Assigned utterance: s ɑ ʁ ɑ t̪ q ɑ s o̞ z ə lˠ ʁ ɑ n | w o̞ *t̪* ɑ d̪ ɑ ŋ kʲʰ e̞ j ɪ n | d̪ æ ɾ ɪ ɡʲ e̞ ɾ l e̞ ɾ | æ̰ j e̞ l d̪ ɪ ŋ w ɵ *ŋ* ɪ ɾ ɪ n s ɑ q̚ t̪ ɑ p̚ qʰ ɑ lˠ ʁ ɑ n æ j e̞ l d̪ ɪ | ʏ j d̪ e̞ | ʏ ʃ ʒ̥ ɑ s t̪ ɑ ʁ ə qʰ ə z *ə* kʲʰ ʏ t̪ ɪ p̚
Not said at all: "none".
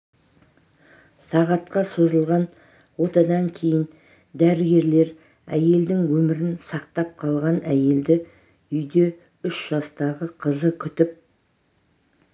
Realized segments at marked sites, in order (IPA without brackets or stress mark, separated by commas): t̪, m, ə